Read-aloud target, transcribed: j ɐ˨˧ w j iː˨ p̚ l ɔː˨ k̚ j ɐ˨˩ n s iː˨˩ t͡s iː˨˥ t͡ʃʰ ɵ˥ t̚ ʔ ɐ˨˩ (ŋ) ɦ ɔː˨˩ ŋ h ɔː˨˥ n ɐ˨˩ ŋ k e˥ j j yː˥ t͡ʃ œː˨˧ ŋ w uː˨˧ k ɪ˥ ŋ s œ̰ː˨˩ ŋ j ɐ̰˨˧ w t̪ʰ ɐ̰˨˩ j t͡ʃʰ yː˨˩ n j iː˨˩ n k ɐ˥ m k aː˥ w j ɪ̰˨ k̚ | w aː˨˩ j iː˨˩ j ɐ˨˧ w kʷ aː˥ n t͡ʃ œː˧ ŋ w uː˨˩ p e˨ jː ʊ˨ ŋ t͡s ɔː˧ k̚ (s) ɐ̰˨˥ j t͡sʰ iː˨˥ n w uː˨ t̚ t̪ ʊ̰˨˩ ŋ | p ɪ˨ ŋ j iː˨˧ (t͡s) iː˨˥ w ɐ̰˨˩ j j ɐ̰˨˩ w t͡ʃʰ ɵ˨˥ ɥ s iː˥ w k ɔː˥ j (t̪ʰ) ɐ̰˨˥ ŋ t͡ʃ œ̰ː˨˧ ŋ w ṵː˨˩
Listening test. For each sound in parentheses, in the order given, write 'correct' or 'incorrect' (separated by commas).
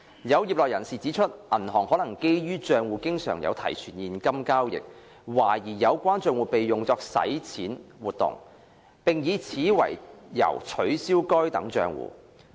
incorrect, correct, incorrect, incorrect